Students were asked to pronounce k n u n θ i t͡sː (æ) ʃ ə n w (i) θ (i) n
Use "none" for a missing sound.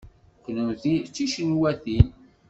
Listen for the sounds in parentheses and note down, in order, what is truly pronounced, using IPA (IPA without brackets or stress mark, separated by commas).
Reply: i, æ, i